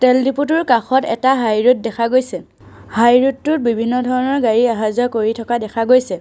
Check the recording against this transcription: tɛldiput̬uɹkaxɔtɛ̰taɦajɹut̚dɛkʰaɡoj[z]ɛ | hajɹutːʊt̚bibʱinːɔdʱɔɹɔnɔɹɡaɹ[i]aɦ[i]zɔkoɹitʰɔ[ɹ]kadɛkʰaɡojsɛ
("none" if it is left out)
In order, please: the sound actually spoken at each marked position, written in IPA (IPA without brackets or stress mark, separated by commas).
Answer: s, i, a, none